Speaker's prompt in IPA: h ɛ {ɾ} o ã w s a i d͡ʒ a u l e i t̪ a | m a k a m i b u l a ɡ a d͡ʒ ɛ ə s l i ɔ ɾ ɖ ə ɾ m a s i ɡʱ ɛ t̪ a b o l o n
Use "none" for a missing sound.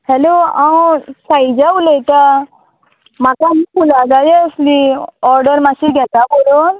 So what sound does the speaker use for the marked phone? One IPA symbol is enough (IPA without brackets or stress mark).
l